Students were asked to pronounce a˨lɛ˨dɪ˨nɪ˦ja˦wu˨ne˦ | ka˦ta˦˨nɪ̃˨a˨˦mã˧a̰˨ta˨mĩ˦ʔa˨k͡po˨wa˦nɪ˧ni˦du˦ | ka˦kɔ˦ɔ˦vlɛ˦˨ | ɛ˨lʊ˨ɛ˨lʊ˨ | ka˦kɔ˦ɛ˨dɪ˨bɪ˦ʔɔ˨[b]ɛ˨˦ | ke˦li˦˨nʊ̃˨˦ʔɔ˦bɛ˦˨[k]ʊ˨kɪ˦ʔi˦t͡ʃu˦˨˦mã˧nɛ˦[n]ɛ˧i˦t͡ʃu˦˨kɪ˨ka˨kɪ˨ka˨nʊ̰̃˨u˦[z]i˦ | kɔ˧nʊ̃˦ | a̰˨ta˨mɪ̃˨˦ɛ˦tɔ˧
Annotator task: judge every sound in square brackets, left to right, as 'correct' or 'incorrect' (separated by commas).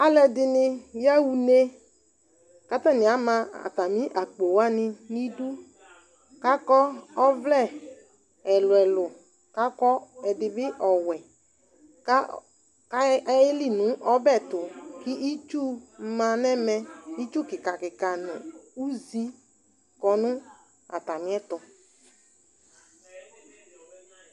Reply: incorrect, incorrect, incorrect, correct